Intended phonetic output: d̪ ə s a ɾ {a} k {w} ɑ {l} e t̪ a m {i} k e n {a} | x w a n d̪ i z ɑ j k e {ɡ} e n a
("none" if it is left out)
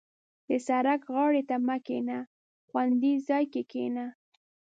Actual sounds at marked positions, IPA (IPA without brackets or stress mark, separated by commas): a, ɣ, ɽ, a, a, k